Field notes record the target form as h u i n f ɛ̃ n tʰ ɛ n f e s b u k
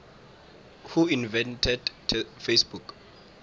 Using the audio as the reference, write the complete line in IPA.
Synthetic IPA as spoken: h u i n v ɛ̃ n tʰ ɛ d f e s b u k